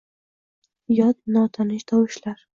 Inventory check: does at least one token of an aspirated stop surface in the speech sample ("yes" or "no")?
yes